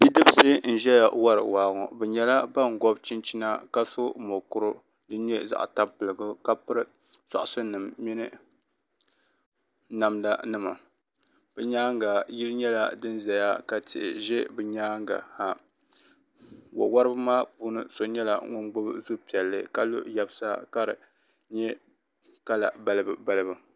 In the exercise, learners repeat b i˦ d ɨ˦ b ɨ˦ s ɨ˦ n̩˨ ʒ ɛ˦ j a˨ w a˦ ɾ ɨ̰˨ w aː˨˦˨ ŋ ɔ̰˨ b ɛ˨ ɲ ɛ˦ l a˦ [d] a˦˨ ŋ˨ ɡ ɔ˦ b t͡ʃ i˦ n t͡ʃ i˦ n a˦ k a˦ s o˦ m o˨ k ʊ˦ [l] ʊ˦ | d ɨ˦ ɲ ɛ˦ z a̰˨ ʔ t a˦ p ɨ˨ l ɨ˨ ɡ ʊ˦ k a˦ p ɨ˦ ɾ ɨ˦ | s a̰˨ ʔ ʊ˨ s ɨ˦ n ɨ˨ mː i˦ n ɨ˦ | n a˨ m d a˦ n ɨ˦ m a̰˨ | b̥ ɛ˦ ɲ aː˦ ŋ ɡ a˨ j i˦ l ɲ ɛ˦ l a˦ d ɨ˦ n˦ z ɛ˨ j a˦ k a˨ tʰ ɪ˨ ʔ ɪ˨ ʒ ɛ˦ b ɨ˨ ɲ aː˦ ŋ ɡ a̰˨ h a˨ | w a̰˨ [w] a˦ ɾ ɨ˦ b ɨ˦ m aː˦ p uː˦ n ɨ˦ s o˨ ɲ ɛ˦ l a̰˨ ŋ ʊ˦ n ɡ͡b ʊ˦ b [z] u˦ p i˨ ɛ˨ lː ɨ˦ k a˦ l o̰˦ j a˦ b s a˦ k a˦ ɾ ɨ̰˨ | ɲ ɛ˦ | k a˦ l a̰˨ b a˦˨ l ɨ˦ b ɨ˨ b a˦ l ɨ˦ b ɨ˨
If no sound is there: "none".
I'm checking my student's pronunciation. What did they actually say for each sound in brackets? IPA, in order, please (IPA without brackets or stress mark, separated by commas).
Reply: b, ɾ, w, z